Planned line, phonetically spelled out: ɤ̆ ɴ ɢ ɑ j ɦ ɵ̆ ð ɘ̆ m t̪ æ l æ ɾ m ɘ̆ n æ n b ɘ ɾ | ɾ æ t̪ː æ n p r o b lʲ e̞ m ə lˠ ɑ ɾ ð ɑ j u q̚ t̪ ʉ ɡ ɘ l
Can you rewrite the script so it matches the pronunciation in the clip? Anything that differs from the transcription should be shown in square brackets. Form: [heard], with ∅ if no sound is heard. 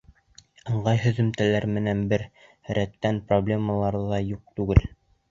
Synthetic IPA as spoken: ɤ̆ ɴ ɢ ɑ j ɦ ɵ̆ ð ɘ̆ m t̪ æ l æ ɾ m ɘ̆ n æ n b ɘ ɾ | ɾ æ t̪ː æ n p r o b lʲ e̞ m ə lˠ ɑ ɾ ð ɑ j u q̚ t̪ ʉ ɡ ɘ l